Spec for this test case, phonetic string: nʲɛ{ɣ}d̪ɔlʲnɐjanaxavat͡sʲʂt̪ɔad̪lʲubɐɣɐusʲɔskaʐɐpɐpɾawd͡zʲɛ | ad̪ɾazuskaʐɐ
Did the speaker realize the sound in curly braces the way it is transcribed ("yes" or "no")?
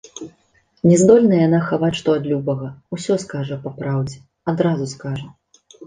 no